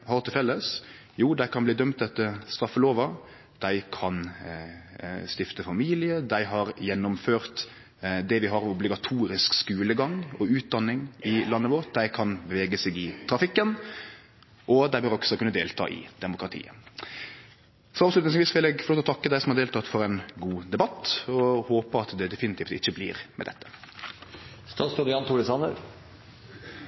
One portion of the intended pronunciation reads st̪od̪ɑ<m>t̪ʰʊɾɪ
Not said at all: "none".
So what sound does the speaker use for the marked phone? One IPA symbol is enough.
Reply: n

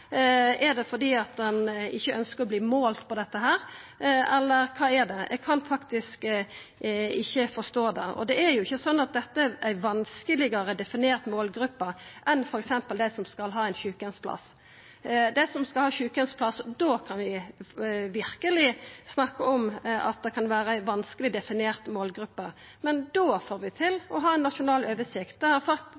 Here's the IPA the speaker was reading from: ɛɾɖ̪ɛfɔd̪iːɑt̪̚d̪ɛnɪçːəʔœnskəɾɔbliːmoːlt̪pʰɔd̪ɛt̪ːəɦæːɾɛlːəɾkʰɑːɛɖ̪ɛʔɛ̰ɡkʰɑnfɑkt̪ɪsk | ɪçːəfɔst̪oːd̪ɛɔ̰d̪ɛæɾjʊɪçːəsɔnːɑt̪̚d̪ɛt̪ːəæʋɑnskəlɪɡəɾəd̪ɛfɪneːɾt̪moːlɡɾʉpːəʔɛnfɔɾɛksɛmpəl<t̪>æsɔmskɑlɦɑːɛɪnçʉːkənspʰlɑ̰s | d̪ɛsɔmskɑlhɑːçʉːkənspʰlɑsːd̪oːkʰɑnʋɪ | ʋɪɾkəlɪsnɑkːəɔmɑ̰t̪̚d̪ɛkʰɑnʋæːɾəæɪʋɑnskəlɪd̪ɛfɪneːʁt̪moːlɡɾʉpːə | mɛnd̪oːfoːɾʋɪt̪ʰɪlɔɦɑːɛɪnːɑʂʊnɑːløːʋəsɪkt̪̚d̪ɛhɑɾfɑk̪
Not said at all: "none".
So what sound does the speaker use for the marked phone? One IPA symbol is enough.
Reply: d̪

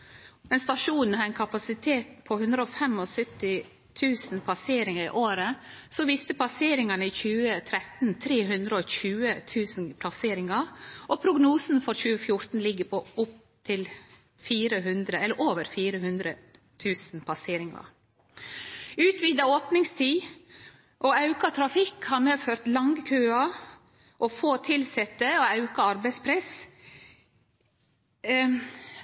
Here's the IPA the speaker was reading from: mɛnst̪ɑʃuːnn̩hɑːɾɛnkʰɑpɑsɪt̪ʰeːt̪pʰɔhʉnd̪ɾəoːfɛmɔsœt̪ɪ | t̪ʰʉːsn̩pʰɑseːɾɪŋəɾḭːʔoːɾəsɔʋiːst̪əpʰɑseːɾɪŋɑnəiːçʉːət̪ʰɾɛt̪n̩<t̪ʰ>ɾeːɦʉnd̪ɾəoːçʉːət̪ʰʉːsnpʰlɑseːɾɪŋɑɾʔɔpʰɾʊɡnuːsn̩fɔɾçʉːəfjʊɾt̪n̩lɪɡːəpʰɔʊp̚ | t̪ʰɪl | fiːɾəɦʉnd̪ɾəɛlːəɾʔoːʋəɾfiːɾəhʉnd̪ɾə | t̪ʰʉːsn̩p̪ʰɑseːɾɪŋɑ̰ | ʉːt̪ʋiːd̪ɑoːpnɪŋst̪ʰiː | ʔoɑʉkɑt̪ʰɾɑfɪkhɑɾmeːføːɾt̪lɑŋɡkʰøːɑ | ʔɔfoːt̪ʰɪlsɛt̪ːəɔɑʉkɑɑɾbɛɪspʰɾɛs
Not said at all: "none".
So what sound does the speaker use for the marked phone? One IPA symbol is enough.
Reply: t̪ʰ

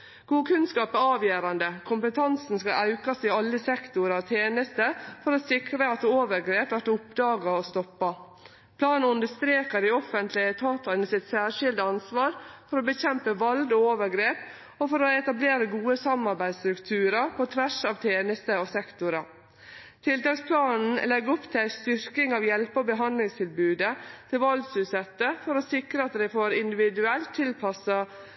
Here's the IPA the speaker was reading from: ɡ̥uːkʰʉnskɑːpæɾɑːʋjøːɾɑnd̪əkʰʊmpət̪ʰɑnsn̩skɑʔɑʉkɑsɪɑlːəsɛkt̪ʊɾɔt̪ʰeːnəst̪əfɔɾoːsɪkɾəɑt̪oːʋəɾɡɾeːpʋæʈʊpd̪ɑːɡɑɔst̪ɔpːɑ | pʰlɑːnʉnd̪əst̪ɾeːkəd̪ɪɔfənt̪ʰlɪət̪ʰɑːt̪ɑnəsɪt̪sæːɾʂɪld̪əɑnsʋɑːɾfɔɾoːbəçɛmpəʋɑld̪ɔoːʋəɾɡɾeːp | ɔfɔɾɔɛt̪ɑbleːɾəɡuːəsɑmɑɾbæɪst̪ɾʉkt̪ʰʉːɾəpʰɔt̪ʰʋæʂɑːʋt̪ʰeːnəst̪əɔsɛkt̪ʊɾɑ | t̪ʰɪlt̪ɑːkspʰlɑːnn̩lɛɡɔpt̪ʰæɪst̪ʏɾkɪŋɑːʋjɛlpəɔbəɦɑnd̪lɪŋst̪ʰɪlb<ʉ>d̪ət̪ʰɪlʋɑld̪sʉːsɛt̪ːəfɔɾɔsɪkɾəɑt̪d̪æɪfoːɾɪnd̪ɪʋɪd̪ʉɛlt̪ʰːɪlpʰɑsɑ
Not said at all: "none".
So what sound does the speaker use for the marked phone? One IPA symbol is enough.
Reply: ʉː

